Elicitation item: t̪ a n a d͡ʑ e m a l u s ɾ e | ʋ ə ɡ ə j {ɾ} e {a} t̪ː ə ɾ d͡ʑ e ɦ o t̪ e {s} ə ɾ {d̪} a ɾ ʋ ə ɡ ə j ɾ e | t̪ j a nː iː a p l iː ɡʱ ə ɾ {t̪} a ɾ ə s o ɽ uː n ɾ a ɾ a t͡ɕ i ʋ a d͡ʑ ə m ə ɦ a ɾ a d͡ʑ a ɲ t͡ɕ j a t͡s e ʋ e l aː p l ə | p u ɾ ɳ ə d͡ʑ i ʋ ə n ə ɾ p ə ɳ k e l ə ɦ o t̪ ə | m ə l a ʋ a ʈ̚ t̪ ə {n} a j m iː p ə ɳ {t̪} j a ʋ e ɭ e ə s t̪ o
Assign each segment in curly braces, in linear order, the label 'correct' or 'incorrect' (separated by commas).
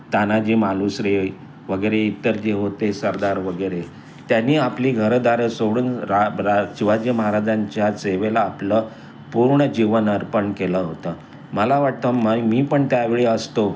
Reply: correct, incorrect, correct, correct, incorrect, incorrect, correct